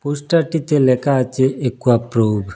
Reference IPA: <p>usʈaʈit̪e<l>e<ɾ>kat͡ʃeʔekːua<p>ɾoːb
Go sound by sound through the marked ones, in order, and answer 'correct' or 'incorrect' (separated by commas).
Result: correct, correct, incorrect, correct